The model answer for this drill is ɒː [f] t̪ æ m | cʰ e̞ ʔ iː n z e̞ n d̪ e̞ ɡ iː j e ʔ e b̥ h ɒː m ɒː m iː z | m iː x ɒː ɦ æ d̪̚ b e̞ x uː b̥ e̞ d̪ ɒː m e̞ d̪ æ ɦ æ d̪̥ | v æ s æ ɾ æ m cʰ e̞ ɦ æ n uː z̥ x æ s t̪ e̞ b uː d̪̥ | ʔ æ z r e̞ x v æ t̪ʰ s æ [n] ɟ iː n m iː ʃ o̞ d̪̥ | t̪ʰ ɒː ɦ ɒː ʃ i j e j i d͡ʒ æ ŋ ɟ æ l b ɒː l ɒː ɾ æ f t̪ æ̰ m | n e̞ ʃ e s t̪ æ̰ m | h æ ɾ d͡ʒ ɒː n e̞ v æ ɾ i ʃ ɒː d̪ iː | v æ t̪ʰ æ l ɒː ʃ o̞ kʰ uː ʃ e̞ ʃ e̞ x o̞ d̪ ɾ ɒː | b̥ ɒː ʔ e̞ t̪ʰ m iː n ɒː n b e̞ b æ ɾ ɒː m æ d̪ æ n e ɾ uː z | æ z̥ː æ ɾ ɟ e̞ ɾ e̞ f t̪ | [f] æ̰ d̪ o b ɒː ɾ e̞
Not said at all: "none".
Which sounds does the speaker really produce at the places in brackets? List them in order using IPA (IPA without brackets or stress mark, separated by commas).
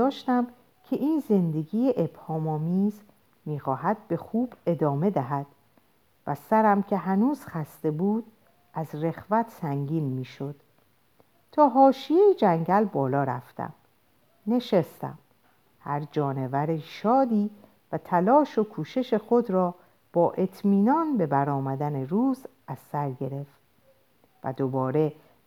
ʃ, ŋ, v